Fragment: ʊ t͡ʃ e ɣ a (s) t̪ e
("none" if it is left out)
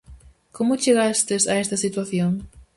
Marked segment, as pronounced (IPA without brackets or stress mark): s